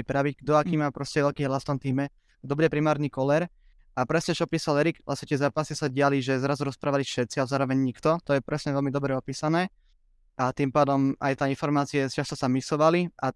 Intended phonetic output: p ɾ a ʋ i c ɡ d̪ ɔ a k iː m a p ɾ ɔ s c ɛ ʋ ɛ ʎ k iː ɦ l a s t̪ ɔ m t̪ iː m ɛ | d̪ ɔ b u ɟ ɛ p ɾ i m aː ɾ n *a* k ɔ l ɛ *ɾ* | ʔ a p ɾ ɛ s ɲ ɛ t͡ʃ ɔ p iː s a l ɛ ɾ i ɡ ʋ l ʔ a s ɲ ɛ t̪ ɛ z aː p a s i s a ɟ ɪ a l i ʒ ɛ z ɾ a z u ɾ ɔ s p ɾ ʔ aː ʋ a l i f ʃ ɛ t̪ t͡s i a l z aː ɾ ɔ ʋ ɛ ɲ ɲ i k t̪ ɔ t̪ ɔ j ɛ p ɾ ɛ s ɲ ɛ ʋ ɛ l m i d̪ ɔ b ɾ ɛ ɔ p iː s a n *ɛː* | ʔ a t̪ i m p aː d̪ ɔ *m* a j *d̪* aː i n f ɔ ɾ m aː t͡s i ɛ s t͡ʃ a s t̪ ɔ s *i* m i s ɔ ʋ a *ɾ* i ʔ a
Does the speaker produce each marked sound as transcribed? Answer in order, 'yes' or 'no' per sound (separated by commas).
no, yes, yes, yes, no, no, no